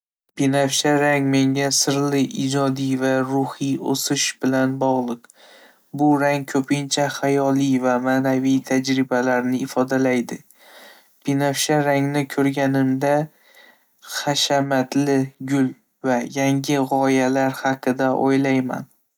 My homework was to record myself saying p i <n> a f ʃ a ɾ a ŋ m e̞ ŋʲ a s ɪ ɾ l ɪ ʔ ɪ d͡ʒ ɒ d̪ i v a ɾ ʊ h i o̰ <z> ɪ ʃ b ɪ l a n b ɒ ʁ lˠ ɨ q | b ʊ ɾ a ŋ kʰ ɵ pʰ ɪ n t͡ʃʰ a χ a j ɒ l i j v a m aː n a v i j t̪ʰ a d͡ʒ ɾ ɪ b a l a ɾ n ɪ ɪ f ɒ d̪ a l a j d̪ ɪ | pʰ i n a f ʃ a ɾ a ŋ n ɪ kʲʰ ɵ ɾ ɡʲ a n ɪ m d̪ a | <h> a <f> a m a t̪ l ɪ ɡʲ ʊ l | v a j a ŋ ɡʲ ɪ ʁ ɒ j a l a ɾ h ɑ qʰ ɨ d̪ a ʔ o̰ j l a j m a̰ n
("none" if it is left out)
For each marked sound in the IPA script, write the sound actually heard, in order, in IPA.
n, s, χ, ʃ

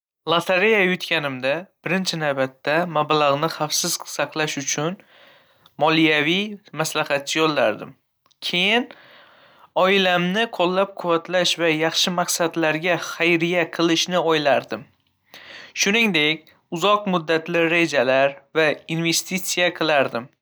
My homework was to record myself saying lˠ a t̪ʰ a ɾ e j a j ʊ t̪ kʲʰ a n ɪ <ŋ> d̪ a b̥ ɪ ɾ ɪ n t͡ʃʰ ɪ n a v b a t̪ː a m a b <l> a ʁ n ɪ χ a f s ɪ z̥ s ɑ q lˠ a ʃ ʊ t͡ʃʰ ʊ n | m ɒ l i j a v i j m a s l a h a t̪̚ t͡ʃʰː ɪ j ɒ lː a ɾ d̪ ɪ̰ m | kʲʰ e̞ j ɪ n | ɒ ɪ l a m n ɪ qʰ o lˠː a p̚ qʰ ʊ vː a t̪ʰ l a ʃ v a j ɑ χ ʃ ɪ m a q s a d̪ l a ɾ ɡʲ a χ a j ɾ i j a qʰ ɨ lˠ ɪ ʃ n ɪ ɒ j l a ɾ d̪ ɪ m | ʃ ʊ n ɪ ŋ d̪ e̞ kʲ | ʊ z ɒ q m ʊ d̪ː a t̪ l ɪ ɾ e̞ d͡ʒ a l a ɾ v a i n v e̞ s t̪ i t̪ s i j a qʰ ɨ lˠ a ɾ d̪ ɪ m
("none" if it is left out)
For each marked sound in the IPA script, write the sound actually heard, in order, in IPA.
m, l

